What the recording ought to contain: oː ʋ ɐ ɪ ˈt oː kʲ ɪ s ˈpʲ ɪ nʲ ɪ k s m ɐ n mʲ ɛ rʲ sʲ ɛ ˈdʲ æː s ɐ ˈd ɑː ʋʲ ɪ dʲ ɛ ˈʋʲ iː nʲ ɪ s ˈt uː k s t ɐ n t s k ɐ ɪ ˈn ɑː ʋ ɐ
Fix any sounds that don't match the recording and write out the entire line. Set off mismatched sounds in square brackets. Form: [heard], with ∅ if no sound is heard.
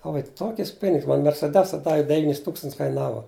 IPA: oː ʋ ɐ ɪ ˈt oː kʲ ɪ s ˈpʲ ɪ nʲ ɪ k s m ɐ n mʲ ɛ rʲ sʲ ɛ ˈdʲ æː s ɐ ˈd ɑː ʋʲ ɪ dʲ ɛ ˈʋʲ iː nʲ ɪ s ˈt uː k s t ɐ n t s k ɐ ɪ ˈn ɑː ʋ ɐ